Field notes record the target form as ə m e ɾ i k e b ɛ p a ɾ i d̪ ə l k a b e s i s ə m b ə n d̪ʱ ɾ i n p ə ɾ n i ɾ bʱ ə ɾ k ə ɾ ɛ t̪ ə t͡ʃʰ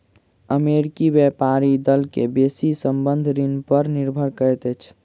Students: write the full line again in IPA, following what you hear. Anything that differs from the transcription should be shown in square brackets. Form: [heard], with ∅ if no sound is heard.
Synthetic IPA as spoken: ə m e ɾ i k [i] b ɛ p a ɾ i d̪ ə l k [e] b e s i s ə m b ə n d̪ʱ ɾ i n p ə ɾ n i ɾ bʱ ə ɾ k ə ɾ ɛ t̪ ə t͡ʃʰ